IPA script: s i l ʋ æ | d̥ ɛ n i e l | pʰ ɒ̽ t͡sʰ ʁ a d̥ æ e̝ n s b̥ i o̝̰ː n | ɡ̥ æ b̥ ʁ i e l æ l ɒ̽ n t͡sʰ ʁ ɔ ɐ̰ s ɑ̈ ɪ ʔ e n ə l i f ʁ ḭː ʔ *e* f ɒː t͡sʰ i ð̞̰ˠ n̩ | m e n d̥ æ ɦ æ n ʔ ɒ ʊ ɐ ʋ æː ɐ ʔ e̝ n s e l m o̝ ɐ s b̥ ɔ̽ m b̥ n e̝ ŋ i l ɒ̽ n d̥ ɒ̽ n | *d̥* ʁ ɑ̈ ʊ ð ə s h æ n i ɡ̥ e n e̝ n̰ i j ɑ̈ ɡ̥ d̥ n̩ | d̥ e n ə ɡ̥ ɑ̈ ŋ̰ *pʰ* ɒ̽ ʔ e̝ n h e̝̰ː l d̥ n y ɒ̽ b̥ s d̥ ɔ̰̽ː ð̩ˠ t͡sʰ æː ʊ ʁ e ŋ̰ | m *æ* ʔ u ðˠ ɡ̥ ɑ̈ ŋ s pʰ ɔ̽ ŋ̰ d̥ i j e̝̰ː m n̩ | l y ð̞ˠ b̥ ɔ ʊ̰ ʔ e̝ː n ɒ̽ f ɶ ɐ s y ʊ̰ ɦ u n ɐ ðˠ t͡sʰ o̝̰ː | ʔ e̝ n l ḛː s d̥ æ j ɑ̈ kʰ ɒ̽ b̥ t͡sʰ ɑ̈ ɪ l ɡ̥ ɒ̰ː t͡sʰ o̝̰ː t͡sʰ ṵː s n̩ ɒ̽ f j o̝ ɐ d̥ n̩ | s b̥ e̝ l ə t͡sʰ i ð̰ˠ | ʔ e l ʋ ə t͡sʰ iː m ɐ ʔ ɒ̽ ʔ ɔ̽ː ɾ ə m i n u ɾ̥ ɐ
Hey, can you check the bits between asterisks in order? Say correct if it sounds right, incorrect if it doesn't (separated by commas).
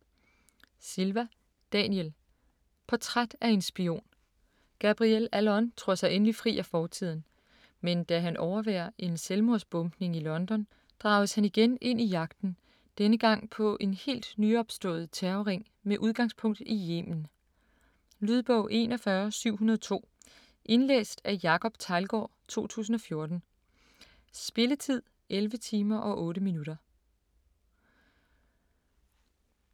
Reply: incorrect, correct, correct, incorrect